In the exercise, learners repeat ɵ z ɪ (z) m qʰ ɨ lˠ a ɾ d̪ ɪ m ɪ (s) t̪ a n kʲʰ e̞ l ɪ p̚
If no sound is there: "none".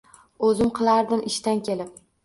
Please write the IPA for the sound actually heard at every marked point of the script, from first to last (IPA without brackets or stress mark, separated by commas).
none, ʃ